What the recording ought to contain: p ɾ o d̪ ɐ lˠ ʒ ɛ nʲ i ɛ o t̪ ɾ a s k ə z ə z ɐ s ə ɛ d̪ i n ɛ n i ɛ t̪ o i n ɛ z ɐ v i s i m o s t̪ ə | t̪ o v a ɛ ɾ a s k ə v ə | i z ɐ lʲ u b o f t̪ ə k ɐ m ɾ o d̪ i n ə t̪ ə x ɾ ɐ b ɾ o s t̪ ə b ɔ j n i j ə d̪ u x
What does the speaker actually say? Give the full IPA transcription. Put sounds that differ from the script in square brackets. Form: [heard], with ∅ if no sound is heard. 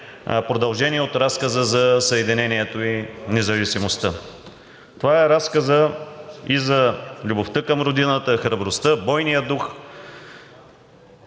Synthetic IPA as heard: p ɾ o d̪ ɐ lˠ ʒ ɛ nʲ i ɛ o t̪ ɾ a s k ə z ə z ɐ s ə ɛ d̪ i n ɛ n i ɛ t̪ o i n ɛ z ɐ v i s i m o s t̪ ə | t̪ o v a ɛ ɾ a s k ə [z] ə | i z ɐ lʲ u b o f t̪ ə k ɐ m ɾ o d̪ i n ə t̪ ə x ɾ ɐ b ɾ o s t̪ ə b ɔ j n i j ə d̪ u x

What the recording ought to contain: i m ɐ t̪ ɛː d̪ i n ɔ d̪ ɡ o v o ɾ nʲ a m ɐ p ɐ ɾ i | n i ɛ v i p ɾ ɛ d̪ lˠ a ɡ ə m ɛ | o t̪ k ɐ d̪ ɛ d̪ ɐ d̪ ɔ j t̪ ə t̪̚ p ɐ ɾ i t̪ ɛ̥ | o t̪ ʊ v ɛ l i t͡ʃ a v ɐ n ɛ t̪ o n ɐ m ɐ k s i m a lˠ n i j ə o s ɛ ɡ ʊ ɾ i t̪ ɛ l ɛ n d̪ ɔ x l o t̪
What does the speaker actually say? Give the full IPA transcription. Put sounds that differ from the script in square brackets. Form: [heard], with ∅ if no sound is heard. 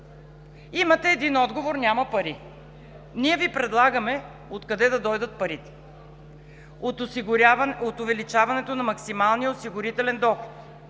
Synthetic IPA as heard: i m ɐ t̪ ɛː d̪ i n ɔ d̪ ɡ o v o ɾ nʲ a m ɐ p ɐ ɾ i | n i ɛ v i p ɾ ɛ d̪ lˠ a ɡ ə m ɛ | o t̪ k ɐ d̪ ɛ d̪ ɐ d̪ ɔ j [d̪] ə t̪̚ p ɐ ɾ i t̪ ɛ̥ | o t̪ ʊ v ɛ l i t͡ʃ a v ɐ n ɛ t̪ o n ɐ m ɐ k s i m a lˠ n i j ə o s [i] ɡ ʊ ɾ i t̪ ɛ l ɛ n d̪ ɔ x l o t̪

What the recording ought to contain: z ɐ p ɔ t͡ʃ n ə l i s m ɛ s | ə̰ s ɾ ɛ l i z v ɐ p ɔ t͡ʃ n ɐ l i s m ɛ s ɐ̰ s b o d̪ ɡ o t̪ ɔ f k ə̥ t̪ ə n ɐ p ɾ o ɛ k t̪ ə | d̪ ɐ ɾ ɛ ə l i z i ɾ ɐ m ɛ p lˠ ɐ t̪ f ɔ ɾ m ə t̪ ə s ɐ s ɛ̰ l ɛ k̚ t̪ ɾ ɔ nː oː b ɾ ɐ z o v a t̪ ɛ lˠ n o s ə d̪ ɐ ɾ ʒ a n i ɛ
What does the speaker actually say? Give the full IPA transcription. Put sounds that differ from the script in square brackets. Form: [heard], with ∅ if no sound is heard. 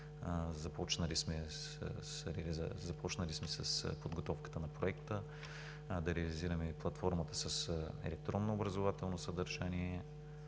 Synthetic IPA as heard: z ɐ p ɔ t͡ʃ n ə l i s m ɛ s | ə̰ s ɾ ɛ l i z [z] ɐ p ɔ t͡ʃ n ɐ l i s m ɛ s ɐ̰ s [p] o d̪ ɡ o t̪ ɔ f k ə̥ t̪ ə n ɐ p ɾ o ɛ k t̪ ə | d̪ ɐ ɾ ɛ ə l i z i ɾ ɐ m ɛ p lˠ ɐ t̪ f ɔ ɾ m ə t̪ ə s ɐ s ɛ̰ l ɛ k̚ t̪ ɾ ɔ nː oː b ɾ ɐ z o v a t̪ ɛ lˠ n o s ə d̪ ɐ ɾ ʒ a n i ɛ

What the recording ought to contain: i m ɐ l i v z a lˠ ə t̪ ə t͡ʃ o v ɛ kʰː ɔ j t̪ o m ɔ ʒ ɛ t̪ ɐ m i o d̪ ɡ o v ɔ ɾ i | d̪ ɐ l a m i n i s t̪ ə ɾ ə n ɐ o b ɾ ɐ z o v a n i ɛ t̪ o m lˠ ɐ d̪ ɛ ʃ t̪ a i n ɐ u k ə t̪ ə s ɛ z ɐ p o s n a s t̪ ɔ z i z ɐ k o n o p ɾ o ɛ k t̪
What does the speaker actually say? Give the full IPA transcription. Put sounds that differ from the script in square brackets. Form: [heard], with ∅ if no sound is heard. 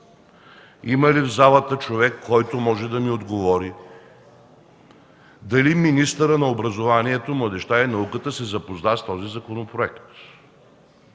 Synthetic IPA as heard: i m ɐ l i v z a lˠ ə t̪ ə t͡ʃ o v ɛ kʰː ɔ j t̪ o m ɔ ʒ ɛ [d̪] ɐ m i o d̪ ɡ o v ɔ ɾ i | d̪ ɐ l [i] m i n i s t̪ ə ɾ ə n ɐ o b ɾ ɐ z o v a n i ɛ t̪ o m lˠ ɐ d̪ ɛ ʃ t̪ a i n ɐ u k ə t̪ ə s ɛ z ɐ p o [z] n a s t̪ ɔ z i z ɐ k o n o p ɾ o ɛ k t̪

